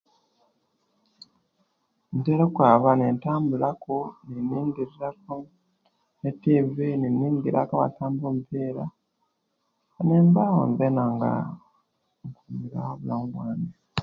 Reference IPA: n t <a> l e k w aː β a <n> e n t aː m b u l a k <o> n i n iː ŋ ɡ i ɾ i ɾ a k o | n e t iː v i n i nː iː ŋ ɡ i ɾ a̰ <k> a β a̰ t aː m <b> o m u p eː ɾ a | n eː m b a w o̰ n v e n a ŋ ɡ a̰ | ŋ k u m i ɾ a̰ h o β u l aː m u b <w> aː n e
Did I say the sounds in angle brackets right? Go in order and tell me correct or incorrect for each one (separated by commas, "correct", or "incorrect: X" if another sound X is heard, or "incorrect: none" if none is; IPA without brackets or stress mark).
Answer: incorrect: e, correct, correct, correct, correct, correct